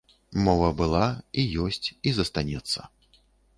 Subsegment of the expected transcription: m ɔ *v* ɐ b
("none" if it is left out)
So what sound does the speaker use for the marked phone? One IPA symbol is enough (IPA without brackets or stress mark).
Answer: v